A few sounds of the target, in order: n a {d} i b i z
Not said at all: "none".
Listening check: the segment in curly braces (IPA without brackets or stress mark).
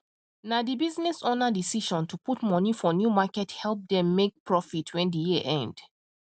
d